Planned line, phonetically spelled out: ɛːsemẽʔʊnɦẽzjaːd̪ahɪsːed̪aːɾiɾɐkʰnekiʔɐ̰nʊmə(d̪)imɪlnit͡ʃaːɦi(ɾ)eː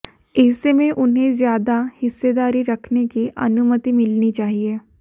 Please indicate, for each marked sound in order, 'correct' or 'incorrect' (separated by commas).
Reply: incorrect, incorrect